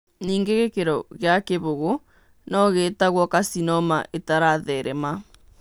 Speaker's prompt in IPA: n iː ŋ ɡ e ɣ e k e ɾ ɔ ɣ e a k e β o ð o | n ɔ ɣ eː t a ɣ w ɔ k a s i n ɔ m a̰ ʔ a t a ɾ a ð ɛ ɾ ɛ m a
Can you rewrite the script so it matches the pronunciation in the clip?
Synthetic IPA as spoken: n iː ŋ ɡ e ɣ e k e ɾ ɔ ɣ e a k e β o ɣ o | n ɔ ɣ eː t a ɣ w ɔ k a s i n ɔ m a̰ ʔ e t a ɾ a ð ɛ ɾ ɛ m a